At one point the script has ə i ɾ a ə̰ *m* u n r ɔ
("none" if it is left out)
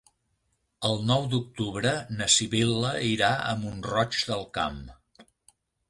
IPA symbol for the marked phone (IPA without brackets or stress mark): m